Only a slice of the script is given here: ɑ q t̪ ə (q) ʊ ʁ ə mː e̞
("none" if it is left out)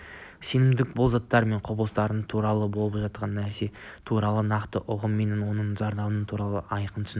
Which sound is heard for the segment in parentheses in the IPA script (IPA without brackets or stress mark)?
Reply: ʔ